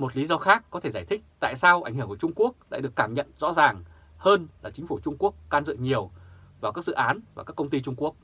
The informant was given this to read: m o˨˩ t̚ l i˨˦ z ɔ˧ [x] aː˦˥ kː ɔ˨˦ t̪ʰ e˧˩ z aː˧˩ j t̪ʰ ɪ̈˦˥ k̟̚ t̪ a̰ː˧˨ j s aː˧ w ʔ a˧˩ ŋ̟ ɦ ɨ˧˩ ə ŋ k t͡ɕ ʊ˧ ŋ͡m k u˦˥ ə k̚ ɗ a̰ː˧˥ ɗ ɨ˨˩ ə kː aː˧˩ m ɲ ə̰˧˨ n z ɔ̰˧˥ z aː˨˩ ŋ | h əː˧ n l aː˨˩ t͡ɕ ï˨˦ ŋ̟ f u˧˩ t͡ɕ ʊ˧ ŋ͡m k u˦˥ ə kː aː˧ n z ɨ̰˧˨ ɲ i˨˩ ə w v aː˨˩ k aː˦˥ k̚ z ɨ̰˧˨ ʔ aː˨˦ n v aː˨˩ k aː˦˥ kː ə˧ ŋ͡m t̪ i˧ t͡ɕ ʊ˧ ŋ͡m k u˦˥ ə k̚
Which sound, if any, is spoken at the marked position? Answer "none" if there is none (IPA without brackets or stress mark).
x